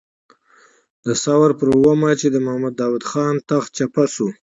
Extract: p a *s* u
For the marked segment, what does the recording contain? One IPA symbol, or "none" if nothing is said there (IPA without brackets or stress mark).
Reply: s